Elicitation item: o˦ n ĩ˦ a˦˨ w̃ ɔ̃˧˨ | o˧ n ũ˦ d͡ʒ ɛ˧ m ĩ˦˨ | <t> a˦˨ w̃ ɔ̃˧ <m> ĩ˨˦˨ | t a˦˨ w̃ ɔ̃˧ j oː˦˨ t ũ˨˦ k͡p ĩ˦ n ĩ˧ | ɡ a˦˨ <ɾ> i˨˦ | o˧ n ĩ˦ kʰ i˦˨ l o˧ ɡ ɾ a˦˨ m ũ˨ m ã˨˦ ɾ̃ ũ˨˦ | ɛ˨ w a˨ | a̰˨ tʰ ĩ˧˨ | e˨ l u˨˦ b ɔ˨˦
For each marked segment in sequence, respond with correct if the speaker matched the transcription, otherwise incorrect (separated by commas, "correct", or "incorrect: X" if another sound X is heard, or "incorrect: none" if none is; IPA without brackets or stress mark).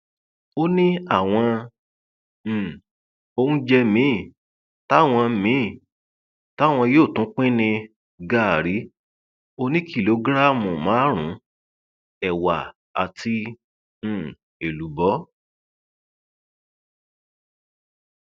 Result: correct, correct, correct